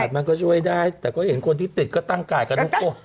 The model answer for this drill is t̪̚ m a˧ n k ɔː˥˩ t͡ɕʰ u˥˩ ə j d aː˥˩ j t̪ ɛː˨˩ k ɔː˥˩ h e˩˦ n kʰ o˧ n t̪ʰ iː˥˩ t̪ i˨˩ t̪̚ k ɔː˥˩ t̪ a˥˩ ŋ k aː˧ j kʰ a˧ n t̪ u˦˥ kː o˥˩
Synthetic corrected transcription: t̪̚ m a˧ n k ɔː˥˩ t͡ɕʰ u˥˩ ə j d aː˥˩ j t̪ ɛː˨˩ k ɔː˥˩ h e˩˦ n kʰ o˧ n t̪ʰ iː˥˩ t̪ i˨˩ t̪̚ k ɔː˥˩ t̪ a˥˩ ŋ k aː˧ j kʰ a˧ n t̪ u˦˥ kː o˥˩